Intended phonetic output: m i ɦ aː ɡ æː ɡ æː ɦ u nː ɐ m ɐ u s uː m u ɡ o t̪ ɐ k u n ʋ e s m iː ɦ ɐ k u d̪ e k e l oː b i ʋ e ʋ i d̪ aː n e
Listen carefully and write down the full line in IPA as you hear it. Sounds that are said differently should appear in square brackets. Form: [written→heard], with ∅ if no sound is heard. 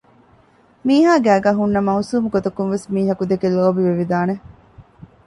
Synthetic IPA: m [i→iː] ɦ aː ɡ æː ɡ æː ɦ u nː ɐ m ɐ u s uː m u ɡ o t̪ ɐ k u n ʋ e s m iː ɦ ɐ k u d̪ e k e l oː b i ʋ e ʋ i d̪ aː n e